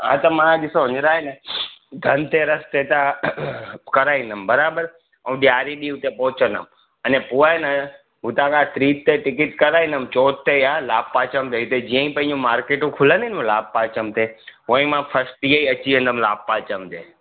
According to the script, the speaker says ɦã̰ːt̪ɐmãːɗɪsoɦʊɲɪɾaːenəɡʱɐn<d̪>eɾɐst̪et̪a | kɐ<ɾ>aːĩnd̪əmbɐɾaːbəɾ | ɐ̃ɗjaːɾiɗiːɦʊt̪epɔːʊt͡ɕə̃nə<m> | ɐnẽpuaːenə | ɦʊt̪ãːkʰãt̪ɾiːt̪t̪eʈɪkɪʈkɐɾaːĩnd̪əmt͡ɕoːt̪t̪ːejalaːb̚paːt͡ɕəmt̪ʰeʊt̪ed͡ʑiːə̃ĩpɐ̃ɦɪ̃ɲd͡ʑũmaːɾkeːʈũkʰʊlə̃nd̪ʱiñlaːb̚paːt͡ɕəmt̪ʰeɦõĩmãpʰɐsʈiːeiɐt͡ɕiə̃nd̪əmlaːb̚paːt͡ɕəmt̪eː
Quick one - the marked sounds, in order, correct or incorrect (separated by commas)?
incorrect, correct, correct